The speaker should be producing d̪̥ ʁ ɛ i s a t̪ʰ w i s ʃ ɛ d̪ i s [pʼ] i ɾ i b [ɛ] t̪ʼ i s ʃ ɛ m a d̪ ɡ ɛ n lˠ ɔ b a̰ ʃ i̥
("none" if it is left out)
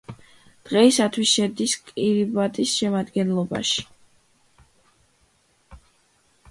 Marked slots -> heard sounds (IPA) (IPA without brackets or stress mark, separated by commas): kʼ, a